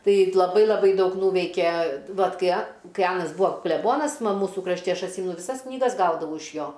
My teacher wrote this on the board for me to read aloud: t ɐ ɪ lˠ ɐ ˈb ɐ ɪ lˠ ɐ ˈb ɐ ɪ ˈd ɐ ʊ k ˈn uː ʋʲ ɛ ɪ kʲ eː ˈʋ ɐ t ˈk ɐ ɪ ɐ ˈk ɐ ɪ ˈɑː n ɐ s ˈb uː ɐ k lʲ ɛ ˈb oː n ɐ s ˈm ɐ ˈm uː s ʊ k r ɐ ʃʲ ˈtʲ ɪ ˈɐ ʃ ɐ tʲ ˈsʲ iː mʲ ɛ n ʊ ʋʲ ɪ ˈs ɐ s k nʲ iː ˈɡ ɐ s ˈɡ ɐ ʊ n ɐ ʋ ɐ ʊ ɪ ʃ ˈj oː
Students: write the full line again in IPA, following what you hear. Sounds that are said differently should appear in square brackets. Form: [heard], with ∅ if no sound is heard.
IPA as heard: t ɐ ɪ lˠ ɐ ˈb ɐ ɪ lˠ ɐ ˈb ɐ ɪ ˈd ɐ ʊ k ˈn uː ʋʲ ɛ ɪ kʲ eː ˈʋ ɐ t ˈk ɐ ɪ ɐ ˈk ɐ ɪ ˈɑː n ɐ s ˈb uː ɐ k lʲ ɛ ˈb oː n ɐ s ˈm ɐ ˈm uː s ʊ k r ɐ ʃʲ ˈtʲ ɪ ˈɐ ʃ ɐ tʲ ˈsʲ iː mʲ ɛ n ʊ ʋʲ ɪ ˈs ɐ s k nʲ iː ˈɡ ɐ s ˈɡ ɐ ʊ [d] ɐ ʋ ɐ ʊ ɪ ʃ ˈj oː